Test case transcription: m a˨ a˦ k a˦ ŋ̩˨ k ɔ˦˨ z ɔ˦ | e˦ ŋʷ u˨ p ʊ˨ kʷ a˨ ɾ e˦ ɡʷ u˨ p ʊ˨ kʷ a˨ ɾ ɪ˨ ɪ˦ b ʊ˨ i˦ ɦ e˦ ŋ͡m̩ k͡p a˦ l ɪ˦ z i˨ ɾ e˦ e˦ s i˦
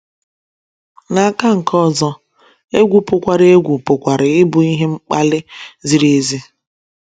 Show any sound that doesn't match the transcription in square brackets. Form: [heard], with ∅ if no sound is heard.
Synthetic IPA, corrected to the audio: [n] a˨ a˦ k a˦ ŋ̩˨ k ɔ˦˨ z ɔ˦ | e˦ [ɡʷ] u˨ p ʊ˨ kʷ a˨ ɾ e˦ ɡʷ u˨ p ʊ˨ kʷ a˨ ɾ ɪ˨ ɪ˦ b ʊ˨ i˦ ɦ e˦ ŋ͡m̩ k͡p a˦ l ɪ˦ z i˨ ɾ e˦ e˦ [z] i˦

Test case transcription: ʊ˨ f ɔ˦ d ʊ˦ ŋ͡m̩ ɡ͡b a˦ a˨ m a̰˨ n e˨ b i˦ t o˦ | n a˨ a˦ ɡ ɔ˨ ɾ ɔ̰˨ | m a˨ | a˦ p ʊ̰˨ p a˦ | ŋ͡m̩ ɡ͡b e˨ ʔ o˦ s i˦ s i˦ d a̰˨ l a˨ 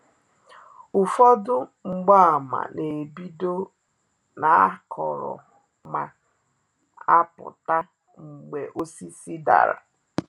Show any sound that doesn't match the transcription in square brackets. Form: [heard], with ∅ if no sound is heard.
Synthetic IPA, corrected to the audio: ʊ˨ f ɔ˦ d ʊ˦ ŋ͡m̩ ɡ͡b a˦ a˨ m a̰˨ n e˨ b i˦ [d] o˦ | n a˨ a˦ [k] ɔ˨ ɾ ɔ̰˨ | m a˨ | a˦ p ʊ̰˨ [t] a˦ | ŋ͡m̩ ɡ͡b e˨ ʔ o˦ s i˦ s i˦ d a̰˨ [ɾ] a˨

